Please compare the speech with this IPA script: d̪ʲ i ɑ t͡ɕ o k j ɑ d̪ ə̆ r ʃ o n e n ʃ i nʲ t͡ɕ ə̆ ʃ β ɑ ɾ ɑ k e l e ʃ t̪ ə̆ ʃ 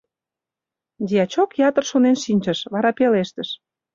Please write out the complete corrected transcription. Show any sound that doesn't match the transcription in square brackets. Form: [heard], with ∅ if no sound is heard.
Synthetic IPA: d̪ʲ i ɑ t͡ɕ o k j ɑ [t̪] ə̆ r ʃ o n e n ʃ i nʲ t͡ɕ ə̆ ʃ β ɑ ɾ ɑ [p] e l e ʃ t̪ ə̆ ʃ